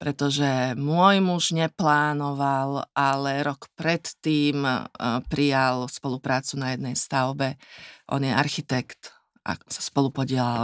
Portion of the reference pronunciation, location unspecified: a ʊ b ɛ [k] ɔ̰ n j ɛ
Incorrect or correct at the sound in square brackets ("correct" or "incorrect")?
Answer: incorrect